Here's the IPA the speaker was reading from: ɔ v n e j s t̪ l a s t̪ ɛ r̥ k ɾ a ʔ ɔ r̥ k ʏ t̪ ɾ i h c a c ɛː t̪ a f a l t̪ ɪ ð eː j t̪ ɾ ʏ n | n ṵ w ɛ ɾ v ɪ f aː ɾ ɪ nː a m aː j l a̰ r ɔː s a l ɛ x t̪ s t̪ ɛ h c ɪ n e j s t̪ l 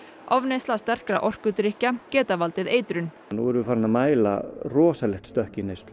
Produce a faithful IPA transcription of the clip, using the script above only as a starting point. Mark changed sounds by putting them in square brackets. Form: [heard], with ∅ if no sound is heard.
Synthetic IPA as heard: ɔ v n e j s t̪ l a s t̪ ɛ r̥ k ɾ a ʔ ɔ r̥ k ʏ t̪ ɾ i h c a c ɛː t̪ a [v] a l t̪ ɪ ð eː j t̪ ɾ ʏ n | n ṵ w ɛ ɾ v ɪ f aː ɾ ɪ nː a m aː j l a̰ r ɔː s a l ɛ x t̪ s t̪ [œ] h c ɪ n e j s t̪ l